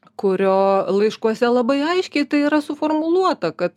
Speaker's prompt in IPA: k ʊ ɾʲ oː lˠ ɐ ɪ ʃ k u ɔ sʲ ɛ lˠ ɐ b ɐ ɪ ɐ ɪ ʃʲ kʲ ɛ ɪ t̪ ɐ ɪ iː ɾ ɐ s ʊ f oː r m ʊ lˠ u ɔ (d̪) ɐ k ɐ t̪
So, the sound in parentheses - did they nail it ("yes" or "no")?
no